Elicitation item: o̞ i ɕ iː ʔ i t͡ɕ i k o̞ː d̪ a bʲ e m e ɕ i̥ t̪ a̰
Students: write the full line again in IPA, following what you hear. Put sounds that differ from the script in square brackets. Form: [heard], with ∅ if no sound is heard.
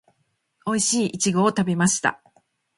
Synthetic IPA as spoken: o̞ i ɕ iː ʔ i t͡ɕ i [ɡ] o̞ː [t̪] a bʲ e m [a] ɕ i̥ t̪ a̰